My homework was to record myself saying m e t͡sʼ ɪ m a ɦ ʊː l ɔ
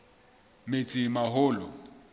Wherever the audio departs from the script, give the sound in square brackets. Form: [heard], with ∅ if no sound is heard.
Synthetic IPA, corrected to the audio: m e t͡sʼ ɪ m a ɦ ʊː l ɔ